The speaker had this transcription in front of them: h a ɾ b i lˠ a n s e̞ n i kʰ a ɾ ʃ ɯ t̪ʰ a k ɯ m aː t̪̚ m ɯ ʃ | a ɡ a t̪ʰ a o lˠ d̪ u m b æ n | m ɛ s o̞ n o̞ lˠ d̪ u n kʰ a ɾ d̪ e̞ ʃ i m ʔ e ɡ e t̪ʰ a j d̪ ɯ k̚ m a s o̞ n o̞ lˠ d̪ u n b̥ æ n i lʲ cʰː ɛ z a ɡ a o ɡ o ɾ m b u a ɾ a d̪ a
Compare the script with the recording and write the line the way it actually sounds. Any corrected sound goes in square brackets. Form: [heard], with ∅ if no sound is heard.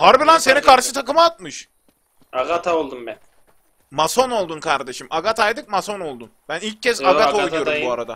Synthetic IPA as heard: h a ɾ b i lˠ a n s e̞ n i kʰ a ɾ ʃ ɯ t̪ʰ a k ɯ m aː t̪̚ m ɯ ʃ | a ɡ a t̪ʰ a o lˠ d̪ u m b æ n | m [a] s o̞ n o̞ lˠ d̪ u n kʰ a ɾ d̪ e̞ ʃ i m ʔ [a] ɡ [a] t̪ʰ a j d̪ ɯ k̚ m a s o̞ n o̞ lˠ d̪ u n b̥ æ n i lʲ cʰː ɛ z a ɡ a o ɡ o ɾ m b u a ɾ a d̪ a

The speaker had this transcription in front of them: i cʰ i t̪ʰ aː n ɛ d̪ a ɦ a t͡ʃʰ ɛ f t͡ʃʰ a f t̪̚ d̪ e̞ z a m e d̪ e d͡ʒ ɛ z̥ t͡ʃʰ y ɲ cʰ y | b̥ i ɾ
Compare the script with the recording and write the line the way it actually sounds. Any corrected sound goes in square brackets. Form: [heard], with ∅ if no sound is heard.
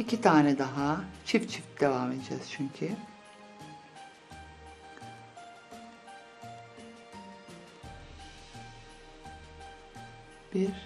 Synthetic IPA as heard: i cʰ i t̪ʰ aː n ɛ d̪ a ɦ a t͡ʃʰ [i] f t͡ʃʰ [i] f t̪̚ d̪ e̞ [v] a m e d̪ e d͡ʒ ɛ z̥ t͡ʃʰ y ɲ cʰ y | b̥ i ɾ

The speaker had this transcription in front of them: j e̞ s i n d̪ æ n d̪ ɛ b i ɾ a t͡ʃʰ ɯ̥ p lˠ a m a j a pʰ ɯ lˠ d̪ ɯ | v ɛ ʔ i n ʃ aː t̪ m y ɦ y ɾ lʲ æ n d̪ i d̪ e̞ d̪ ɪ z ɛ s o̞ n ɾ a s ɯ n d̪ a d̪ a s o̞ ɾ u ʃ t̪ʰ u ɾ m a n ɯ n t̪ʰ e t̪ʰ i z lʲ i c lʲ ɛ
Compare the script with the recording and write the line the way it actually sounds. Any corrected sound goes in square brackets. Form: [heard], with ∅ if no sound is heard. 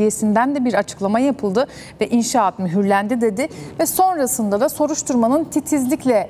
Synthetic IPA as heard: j e̞ s i n d̪ æ n d̪ ɛ b i ɾ a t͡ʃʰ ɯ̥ [k] lˠ a m a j a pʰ ɯ lˠ d̪ ɯ | v ɛ ʔ i n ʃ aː t̪ m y ɦ y ɾ lʲ æ n d̪ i d̪ e̞ d̪ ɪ [v] ɛ s o̞ n ɾ a s ɯ n d̪ a d̪ a s o̞ ɾ u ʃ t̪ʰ u ɾ m a n ɯ n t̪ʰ [i] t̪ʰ i z lʲ i c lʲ ɛ

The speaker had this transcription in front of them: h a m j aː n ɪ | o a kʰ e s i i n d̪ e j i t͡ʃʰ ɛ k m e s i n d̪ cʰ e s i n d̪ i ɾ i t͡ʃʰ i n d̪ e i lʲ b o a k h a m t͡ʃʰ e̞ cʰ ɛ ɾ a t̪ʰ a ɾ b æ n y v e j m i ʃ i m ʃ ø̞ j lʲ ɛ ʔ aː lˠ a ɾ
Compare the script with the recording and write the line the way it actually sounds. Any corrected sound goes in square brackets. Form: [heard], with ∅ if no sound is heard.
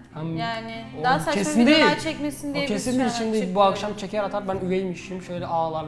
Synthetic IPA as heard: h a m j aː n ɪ | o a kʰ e s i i n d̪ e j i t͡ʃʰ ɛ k m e s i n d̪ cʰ e s i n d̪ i ɾ i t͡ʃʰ i n d̪ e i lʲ b [u] a k [ʃ] a m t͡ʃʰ e̞ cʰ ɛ ɾ a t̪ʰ a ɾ b æ n y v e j m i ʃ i m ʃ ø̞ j lʲ ɛ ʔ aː lˠ a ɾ

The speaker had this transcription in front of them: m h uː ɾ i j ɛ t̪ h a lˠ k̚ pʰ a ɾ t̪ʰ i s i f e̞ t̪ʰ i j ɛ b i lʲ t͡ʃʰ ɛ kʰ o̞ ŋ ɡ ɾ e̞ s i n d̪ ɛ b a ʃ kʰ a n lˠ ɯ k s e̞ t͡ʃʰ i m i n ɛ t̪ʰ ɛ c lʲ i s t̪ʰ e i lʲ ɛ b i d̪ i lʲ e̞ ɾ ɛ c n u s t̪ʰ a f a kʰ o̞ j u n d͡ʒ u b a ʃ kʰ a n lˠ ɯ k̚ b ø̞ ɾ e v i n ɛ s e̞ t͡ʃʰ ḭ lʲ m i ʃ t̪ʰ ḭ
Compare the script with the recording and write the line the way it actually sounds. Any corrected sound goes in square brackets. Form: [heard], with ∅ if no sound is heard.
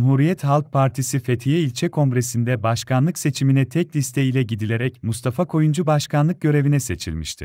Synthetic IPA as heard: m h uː ɾ i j ɛ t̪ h a lˠ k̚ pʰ a ɾ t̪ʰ i s i f e̞ t̪ʰ i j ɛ [∅] i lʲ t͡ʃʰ ɛ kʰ o̞ ŋ ɡ ɾ e̞ s i n d̪ ɛ b a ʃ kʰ a n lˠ ɯ k s e̞ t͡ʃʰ i m i n ɛ t̪ʰ ɛ c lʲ i s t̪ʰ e i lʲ ɛ [ɟ] i d̪ i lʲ e̞ ɾ ɛ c [m] u s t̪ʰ a f a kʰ o̞ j u n d͡ʒ u b a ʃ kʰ a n lˠ ɯ k̚ [ɟ] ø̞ ɾ e v i n ɛ s e̞ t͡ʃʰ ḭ lʲ m i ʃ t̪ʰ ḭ

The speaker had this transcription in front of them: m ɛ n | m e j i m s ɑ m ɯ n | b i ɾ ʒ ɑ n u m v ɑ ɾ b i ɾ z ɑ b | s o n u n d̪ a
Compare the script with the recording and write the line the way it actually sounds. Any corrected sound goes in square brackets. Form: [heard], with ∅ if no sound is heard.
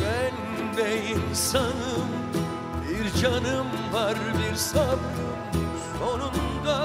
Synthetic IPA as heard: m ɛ n | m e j i [n] s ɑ [n] ɯ [m] | b i ɾ [d͡ʒ] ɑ n [ɯ] m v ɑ ɾ b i ɾ [s] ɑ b | s o n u n d̪ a

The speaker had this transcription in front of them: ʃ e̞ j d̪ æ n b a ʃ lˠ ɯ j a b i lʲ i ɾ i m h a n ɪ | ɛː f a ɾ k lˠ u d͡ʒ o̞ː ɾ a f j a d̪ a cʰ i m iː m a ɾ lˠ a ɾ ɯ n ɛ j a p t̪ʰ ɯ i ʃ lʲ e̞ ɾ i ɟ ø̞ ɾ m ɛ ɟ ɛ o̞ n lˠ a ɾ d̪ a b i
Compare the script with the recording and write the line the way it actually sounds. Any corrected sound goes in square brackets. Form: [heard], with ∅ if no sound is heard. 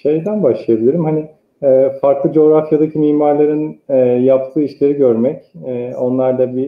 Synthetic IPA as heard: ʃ e̞ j d̪ æ n b a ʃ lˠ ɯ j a b i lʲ i ɾ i m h a n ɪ | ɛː f a ɾ k lˠ [ɯ] d͡ʒ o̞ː ɾ a f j a d̪ a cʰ i m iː m a ɾ lˠ a ɾ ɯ n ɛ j a p t̪ʰ [ɯː] i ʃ lʲ e̞ ɾ i ɟ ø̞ ɾ m ɛ [c] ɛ o̞ n lˠ a ɾ d̪ a b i

